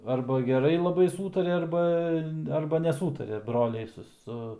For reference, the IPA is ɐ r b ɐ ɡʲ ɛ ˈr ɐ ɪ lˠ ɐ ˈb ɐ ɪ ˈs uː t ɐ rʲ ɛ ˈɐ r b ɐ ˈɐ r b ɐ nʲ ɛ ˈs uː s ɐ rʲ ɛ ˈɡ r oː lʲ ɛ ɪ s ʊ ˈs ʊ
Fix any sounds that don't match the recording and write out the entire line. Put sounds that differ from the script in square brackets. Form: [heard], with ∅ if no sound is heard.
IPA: ɐ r b ɐ ɡʲ ɛ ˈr ɐ ɪ lˠ ɐ ˈb ɐ ɪ ˈs uː t ɐ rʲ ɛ ˈɐ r b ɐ ˈɐ r b ɐ nʲ ɛ ˈs uː [t] ɐ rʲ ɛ [ˈb] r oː lʲ ɛ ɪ s ʊ ˈs ʊ